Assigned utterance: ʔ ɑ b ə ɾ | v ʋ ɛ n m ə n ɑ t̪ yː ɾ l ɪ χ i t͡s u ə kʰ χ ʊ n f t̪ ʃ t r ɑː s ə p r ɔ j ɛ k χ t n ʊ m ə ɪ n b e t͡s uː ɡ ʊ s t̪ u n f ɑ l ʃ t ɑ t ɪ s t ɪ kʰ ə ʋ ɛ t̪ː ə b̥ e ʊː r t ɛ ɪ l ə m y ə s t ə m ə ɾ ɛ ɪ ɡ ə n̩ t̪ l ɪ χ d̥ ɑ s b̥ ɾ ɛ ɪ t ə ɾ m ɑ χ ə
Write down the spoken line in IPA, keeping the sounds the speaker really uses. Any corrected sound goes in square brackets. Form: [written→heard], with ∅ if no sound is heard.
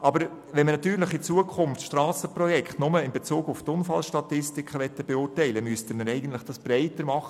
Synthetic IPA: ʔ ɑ b ə ɾ | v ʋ ɛ n m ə n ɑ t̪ yː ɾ l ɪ χ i t͡s u ə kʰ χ ʊ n f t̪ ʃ t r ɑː s ə p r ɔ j ɛ k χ t n ʊ m ə ɪ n b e t͡s uː ɡ ʊ [s→f] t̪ [u→ʊ] n f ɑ l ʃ t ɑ t ɪ s t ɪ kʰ ə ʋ ɛ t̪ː ə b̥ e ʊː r t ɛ ɪ l ə m y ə s t ə m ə ɾ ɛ ɪ ɡ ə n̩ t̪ l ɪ χ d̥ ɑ s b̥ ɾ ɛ ɪ t ə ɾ m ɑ χ ə